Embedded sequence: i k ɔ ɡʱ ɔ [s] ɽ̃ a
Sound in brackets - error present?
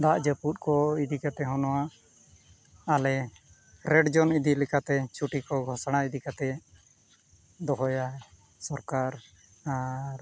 no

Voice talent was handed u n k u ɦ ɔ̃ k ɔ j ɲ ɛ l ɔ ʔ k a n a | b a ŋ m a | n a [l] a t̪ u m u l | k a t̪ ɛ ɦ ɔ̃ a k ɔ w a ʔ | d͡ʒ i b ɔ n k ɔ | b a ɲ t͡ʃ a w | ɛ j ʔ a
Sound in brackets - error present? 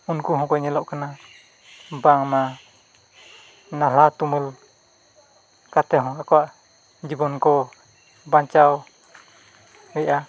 no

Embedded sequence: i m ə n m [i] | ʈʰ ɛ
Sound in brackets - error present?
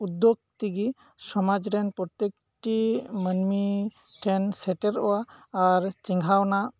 no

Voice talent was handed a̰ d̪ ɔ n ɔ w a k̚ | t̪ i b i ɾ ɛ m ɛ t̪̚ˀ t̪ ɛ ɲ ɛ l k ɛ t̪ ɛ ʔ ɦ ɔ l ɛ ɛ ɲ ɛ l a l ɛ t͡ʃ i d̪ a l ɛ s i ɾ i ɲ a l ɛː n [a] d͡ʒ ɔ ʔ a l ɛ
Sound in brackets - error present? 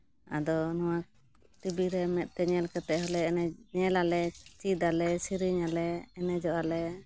yes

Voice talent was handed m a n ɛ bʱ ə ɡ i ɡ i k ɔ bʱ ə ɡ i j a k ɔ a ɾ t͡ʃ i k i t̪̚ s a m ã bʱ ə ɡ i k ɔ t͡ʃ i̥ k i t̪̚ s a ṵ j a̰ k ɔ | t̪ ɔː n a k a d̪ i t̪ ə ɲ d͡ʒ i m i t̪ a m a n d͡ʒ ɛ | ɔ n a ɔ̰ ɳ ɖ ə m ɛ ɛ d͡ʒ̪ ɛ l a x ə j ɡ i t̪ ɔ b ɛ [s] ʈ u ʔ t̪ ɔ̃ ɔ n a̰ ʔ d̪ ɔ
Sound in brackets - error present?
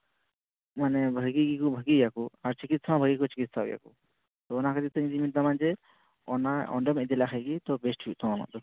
no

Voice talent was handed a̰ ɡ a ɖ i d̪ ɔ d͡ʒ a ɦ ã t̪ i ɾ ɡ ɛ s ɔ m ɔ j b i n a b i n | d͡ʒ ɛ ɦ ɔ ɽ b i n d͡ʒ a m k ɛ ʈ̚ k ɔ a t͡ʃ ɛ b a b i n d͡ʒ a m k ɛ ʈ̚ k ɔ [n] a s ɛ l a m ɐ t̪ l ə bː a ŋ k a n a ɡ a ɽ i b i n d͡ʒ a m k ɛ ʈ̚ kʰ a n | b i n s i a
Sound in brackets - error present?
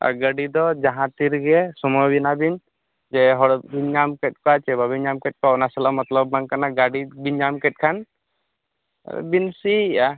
no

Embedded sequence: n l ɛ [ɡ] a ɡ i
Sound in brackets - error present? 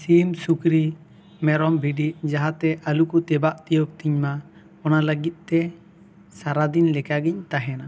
yes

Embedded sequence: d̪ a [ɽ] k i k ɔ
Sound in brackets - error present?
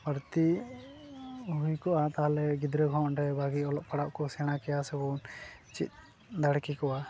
no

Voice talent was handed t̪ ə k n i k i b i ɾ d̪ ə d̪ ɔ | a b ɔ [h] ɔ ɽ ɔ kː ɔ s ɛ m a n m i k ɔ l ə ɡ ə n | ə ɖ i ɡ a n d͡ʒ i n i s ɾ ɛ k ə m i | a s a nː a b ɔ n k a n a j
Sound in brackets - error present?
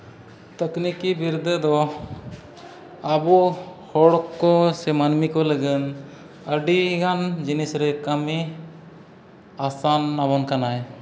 no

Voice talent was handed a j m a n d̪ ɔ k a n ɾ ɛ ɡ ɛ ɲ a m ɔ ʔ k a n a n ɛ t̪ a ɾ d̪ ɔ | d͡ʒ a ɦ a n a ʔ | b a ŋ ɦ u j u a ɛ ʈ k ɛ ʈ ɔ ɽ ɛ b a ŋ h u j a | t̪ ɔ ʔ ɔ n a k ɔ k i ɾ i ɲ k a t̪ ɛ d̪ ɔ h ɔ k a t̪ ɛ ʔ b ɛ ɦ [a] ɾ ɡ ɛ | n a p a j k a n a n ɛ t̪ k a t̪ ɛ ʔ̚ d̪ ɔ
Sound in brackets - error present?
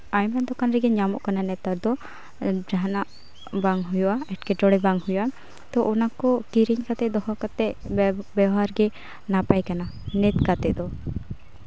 no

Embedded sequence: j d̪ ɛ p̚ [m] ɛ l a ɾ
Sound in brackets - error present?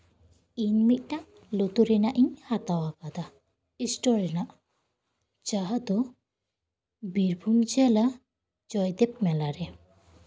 no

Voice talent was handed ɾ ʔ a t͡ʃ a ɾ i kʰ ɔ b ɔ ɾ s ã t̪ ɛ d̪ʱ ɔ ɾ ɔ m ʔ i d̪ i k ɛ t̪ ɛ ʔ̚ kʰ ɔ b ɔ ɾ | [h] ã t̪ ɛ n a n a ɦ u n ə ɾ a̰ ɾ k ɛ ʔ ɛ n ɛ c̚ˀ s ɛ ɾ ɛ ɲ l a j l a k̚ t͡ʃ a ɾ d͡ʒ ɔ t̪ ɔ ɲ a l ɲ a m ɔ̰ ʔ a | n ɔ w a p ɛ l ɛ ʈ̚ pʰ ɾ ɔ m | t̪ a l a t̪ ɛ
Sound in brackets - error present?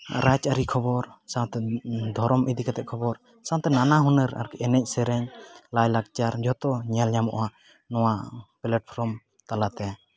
yes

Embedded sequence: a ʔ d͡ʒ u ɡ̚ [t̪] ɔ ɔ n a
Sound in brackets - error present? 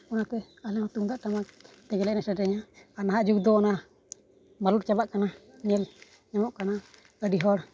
yes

